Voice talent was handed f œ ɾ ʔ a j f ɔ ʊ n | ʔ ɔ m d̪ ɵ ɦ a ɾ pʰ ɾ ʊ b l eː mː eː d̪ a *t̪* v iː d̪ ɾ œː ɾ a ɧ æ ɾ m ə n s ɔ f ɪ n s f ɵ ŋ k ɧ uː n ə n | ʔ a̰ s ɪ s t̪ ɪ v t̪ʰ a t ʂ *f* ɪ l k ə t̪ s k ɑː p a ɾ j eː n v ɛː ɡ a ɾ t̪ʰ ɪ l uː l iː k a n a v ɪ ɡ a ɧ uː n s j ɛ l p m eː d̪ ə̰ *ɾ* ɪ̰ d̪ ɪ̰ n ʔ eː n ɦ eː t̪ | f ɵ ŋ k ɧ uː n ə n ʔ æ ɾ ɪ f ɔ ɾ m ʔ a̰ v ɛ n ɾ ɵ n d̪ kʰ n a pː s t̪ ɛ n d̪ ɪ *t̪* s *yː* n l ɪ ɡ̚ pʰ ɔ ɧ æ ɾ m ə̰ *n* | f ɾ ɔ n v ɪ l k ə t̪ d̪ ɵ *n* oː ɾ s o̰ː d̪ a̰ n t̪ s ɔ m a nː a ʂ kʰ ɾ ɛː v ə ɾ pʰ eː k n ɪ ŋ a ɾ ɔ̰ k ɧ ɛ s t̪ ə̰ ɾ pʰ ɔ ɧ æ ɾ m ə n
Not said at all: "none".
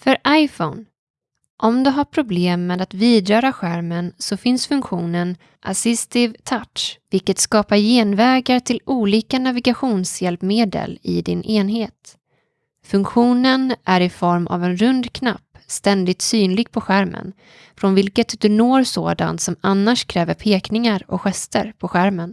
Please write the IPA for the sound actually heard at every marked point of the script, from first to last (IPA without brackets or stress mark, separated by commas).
t̪, v, l, t̪, yː, n, n